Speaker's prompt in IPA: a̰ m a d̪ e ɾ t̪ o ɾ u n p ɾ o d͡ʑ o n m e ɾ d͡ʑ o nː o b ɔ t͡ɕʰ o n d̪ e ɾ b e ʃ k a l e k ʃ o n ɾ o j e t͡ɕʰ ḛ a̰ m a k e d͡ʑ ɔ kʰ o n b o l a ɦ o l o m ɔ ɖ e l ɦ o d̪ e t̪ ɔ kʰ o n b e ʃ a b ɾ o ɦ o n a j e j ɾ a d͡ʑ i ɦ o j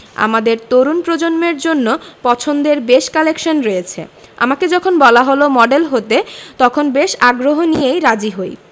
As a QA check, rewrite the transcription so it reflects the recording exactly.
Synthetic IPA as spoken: a̰ m a d̪ e ɾ t̪ o ɾ u n p ɾ o d͡ʑ o n m e ɾ d͡ʑ o nː o p ɔ t͡ɕʰ o n d̪ e ɾ b e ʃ k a l e k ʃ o n ɾ o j e t͡ɕʰ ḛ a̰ m a k e d͡ʑ ɔ kʰ o n b ɔ l a ɦ o l o m ɔ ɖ e l ɦ o t̪ e t̪ ɔ kʰ o n b e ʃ a ɡ ɾ o ɦ o n i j e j ɾ a d͡ʑ i ɦ o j